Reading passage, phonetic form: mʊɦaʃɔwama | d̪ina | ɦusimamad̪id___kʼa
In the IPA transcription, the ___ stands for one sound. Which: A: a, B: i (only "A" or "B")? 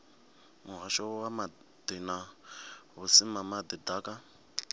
A